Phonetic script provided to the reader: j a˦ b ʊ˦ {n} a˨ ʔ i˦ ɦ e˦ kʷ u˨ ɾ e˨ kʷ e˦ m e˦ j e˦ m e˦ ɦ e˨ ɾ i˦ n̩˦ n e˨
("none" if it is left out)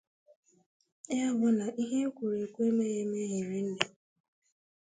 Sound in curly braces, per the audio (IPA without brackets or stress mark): n